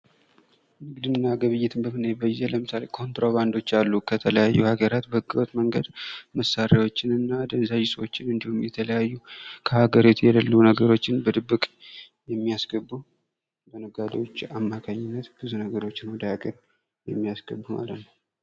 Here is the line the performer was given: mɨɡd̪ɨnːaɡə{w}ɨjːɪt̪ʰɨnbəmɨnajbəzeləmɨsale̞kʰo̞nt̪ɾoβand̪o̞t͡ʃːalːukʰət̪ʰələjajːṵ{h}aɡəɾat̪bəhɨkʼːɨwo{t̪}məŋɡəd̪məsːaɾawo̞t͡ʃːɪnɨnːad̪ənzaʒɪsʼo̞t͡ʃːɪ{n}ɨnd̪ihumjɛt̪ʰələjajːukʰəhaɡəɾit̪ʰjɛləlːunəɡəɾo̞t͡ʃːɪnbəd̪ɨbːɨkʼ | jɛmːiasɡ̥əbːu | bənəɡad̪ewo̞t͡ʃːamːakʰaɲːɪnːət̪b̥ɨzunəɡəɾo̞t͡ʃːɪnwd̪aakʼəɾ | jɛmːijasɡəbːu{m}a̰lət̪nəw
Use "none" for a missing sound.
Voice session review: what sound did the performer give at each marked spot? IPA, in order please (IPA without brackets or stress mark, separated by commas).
β, h, t̪, n, m